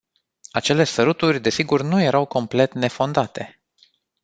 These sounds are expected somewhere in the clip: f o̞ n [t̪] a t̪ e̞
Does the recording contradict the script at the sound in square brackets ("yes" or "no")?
yes